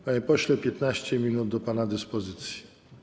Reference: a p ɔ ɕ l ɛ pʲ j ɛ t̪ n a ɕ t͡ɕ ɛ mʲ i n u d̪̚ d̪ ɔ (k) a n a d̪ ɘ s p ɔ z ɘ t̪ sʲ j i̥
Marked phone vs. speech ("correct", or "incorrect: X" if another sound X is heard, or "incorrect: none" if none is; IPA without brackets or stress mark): incorrect: p